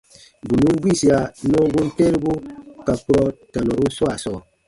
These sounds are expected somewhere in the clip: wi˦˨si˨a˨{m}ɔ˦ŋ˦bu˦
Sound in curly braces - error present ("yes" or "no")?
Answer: yes